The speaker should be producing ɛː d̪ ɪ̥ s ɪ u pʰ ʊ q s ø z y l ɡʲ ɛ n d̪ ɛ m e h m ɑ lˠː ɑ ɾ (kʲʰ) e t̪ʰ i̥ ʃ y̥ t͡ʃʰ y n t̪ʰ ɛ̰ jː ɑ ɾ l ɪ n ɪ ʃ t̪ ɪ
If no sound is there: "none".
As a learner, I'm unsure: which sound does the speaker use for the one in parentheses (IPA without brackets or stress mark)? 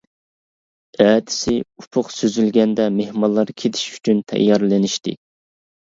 kʲʰ